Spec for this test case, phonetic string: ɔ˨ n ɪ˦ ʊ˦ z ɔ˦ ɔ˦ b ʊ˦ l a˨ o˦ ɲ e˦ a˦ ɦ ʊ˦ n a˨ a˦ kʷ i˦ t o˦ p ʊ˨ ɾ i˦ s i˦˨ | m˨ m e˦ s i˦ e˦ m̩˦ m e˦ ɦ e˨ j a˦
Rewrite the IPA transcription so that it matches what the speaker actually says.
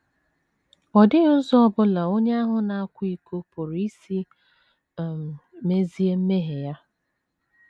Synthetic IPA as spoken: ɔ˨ d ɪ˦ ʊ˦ z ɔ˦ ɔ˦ b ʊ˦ l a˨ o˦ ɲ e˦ a˦ ɦ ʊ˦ n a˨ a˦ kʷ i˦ k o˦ p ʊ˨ ɾ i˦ s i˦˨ | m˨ m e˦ z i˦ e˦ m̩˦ m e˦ ɦ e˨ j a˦